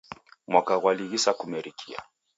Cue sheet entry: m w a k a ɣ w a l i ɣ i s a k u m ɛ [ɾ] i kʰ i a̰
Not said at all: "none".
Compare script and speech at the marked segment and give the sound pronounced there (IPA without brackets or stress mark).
ɾ